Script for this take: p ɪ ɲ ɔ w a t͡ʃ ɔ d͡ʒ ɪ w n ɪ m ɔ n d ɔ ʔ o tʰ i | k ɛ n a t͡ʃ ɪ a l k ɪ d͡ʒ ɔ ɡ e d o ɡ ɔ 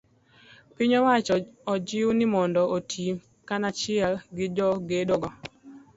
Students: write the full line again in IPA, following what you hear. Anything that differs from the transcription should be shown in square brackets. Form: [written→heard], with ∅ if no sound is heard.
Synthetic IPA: p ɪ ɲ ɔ w a t͡ʃ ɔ d͡ʒ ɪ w n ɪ m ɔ n d ɔ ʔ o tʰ i | k [ɛ→a] n a t͡ʃ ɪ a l [k→ɡ] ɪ d͡ʒ ɔ ɡ e d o ɡ ɔ